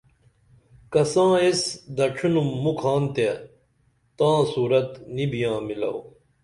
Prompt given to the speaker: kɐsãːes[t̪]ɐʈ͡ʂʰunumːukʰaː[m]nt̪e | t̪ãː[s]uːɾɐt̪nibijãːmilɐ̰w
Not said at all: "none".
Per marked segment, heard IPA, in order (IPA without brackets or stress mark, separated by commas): d̪, none, s